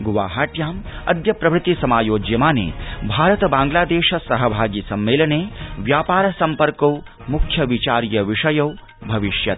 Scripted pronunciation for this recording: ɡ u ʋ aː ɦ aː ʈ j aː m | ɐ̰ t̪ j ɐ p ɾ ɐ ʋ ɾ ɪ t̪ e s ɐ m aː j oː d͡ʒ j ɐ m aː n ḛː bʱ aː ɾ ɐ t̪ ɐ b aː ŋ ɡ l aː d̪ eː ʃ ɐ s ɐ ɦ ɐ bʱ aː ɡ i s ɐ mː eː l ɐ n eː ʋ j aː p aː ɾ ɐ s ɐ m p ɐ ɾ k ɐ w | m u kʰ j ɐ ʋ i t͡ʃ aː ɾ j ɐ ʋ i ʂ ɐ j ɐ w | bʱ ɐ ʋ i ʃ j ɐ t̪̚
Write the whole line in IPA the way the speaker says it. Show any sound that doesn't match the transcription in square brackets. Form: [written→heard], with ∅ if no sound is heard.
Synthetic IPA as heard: ɡ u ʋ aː ɦ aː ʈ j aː m | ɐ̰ [t̪→d̪] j ɐ p ɾ ɐ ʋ ɾ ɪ t̪ [e→i] s ɐ m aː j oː d͡ʒ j ɐ m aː n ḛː bʱ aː ɾ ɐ t̪ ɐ b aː ŋ ɡ l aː d̪ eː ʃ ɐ s ɐ ɦ ɐ bʱ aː ɡ i s ɐ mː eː l ɐ n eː ʋ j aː p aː ɾ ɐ s ɐ m p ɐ ɾ k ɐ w | m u kʰ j ɐ ʋ i t͡ʃ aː ɾ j ɐ ʋ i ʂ ɐ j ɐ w | bʱ ɐ ʋ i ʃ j ɐ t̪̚